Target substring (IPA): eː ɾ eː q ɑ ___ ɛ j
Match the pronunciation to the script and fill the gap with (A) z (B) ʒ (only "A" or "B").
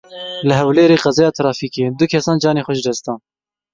A